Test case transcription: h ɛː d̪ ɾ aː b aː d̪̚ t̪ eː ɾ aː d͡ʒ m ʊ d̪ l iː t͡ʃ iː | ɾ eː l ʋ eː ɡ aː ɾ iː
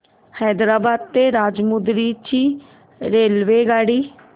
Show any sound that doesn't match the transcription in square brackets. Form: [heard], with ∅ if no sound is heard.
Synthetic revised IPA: h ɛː d̪ ɾ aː b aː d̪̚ t̪ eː ɾ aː d͡ʒ m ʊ d̪ [ɾ] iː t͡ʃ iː | ɾ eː l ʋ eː ɡ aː [ɽ] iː